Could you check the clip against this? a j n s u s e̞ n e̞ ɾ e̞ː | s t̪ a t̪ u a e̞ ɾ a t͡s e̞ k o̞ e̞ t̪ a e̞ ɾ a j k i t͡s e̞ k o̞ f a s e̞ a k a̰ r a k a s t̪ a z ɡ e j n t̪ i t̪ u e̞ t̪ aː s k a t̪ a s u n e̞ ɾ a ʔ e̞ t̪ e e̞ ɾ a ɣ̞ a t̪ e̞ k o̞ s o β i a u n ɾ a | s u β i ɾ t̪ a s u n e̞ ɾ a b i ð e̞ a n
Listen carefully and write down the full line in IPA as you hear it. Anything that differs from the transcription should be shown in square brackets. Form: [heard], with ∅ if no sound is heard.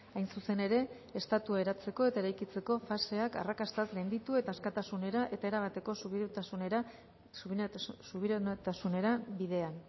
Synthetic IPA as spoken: a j n s u s e̞ n e̞ ɾ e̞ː | s t̪ a t̪ u a e̞ ɾ a t͡s e̞ k o̞ e̞ t̪ a e̞ ɾ a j k i t͡s e̞ k o̞ f a s e̞ a k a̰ r a k a s t̪ a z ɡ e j n [d̪] i t̪ u e̞ t̪ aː s k a t̪ a s u n e̞ ɾ a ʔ e̞ t̪ [a] e̞ ɾ a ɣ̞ a t̪ e̞ k o̞ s [u] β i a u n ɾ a | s u β i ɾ t̪ a s u n e̞ ɾ a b i ð e̞ a n